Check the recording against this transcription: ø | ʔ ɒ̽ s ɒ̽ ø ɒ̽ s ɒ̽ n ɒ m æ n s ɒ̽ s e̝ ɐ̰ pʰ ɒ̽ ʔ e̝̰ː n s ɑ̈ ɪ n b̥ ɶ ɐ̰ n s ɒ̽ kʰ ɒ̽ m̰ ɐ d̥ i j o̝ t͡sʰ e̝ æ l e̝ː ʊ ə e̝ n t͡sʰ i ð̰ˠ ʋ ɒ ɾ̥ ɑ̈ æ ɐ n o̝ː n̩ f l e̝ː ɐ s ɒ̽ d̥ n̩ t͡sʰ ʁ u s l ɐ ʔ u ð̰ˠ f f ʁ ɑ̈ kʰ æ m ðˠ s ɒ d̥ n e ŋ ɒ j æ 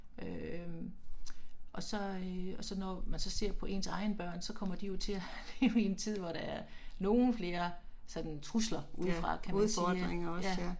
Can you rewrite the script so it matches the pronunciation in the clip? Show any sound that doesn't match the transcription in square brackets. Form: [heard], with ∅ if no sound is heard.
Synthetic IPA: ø | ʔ ɒ̽ s ɒ̽ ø ɒ̽ s ɒ̽ n ɒ m æ n s ɒ̽ s e̝ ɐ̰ pʰ ɒ̽ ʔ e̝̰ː n s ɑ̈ ɪ n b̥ ɶ ɐ̰ n s ɒ̽ kʰ ɒ̽ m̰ ɐ d̥ i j o̝ t͡sʰ e̝ æ l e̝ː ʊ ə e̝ n t͡sʰ i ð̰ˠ ʋ ɒ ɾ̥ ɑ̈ æ ɐ n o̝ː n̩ f l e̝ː ɐ s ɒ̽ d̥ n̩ t͡sʰ ʁ u s l ɐ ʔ u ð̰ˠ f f ʁ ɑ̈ kʰ æ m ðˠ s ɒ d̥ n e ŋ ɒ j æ

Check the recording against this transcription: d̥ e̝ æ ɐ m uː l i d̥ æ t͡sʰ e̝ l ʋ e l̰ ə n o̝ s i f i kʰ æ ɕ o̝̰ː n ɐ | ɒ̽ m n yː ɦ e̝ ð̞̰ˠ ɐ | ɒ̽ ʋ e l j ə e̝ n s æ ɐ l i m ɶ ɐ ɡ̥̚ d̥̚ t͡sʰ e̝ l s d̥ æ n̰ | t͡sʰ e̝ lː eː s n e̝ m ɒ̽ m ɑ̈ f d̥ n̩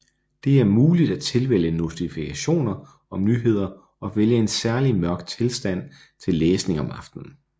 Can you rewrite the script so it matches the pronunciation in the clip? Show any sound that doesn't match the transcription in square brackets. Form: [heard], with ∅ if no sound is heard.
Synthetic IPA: d̥ e̝ æ ɐ m uː l i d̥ æ t͡sʰ e̝ l ʋ e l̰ ə n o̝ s i f i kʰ æ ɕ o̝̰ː n ɐ | ɒ̽ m n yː ɦ e̝ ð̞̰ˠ ɐ | ɒ̽ ʋ e l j ə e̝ n s æ ɐ l i m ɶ ɐ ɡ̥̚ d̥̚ t͡sʰ e̝ l s d̥ æ n̰ | t͡sʰ e̝ lː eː s n e̝ [ŋ] ɒ̽ m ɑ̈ f d̥ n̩

